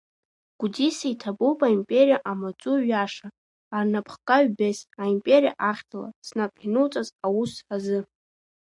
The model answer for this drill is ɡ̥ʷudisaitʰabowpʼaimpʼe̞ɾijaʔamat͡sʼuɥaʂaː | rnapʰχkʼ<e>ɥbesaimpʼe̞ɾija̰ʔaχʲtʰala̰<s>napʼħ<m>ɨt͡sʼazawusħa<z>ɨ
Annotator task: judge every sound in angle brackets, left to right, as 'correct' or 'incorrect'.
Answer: incorrect, correct, incorrect, correct

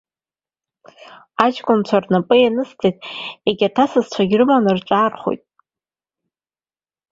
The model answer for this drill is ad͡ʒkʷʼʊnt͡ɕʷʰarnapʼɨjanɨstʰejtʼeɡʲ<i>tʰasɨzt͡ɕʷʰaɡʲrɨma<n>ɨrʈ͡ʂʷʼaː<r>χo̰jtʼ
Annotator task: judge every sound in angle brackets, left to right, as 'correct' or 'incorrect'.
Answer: incorrect, correct, correct

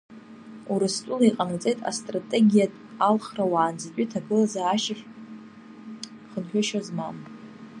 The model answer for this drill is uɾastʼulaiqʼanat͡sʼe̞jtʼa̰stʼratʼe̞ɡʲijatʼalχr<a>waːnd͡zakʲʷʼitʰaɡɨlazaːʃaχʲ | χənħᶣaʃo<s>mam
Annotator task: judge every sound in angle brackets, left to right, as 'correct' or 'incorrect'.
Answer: correct, incorrect

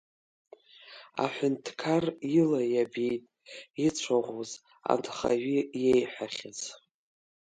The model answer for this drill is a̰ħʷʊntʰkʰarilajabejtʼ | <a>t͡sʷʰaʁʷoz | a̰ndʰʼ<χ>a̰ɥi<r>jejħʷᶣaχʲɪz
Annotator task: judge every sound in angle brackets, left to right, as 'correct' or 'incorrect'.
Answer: incorrect, correct, incorrect

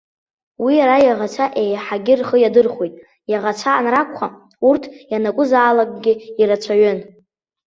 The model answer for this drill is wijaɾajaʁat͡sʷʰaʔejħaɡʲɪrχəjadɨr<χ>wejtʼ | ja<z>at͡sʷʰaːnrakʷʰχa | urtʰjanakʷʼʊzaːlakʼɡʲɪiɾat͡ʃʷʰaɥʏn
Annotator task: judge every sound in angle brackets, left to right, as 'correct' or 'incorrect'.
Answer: correct, incorrect

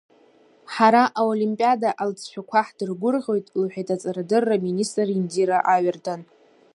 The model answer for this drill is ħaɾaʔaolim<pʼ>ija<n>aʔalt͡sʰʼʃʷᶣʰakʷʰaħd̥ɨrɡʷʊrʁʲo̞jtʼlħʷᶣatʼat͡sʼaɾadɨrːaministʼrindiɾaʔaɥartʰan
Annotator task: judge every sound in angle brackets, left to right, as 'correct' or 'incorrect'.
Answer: correct, incorrect

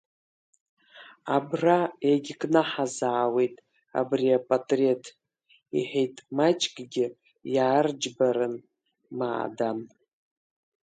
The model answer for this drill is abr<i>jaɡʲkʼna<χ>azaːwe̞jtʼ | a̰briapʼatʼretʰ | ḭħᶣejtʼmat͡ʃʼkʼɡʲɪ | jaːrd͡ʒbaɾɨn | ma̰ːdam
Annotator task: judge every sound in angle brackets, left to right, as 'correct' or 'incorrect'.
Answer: incorrect, incorrect

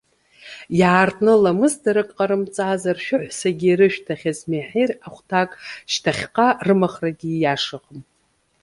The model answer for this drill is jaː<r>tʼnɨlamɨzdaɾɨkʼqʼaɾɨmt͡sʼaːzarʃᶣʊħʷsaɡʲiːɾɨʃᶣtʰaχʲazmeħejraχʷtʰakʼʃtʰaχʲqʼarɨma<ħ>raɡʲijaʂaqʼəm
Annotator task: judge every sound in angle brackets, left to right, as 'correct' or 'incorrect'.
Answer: correct, incorrect

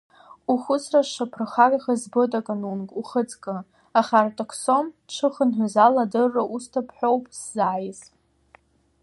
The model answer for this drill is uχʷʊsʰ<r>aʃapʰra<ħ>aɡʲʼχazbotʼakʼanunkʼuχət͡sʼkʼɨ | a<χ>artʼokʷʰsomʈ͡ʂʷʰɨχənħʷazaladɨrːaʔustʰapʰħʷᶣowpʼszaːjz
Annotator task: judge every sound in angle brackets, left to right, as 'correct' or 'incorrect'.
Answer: correct, incorrect, correct

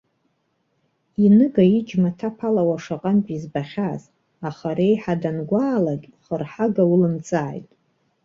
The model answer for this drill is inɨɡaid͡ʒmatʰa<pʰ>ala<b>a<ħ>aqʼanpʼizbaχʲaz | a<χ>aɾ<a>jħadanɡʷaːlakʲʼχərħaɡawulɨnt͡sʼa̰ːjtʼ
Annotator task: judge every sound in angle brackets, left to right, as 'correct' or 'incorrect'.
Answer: correct, incorrect, incorrect, correct, incorrect

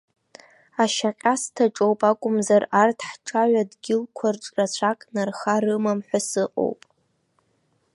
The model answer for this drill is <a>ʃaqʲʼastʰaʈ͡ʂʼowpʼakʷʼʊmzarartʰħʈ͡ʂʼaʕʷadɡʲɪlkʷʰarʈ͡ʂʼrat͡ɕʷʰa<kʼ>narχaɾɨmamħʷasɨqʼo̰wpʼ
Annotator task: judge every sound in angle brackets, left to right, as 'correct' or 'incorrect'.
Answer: correct, correct

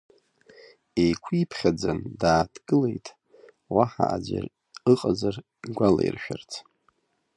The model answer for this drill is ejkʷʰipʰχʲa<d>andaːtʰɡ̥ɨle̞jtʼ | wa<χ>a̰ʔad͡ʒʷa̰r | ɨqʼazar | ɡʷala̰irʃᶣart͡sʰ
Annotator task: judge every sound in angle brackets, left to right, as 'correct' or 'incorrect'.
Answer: incorrect, incorrect

